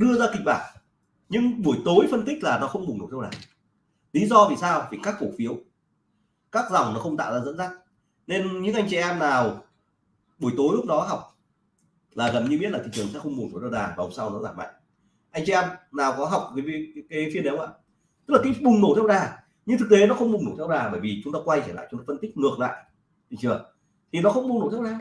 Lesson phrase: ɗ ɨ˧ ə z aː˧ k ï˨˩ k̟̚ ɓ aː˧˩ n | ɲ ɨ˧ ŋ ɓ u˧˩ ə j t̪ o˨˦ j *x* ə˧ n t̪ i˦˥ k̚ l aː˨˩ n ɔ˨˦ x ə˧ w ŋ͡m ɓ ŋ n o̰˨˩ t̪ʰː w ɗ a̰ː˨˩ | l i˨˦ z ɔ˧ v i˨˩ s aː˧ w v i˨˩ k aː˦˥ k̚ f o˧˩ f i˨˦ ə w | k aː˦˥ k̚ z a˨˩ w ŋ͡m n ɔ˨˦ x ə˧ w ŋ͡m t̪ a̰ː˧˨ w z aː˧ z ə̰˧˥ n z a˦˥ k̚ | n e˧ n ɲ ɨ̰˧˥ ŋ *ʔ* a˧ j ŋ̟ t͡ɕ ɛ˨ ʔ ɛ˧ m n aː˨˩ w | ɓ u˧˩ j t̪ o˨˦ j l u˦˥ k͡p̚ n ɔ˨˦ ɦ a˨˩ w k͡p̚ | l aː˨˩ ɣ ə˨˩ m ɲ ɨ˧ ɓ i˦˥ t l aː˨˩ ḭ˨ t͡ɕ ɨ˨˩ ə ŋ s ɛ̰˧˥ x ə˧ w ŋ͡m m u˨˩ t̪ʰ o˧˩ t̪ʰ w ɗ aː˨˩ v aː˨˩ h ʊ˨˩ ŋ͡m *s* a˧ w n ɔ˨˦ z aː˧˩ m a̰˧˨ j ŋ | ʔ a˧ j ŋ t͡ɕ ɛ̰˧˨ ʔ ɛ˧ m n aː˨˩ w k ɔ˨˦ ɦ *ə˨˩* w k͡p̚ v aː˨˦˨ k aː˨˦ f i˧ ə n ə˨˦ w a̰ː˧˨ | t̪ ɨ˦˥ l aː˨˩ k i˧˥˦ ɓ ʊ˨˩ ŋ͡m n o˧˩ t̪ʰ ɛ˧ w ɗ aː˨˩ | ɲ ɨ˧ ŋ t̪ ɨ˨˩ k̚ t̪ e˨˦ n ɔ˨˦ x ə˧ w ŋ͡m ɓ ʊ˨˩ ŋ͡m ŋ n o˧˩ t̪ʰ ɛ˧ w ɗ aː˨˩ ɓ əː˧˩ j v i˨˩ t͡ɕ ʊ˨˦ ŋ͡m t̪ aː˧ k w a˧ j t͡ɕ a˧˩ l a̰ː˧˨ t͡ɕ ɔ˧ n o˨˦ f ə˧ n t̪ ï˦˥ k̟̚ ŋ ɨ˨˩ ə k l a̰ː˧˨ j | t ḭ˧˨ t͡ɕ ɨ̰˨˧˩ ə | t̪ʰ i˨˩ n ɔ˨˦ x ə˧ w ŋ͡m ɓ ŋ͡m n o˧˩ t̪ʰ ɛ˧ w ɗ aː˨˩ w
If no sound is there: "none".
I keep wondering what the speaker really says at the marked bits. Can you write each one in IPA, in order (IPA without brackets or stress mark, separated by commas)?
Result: f, ʔ, s, a˨˩